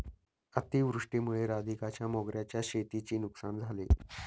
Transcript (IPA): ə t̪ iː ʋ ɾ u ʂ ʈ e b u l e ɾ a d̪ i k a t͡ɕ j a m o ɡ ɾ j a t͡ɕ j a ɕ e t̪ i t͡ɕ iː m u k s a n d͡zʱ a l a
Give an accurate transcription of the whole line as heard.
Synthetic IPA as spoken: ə t̪ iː ʋ ɾ u ʂ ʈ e m u ɭ e ɾ a d̪ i k a t͡ɕ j a m o ɡ ɾ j a t͡ɕ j a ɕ e t̪ i t͡ɕ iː n u k s a n d͡zʱ a l e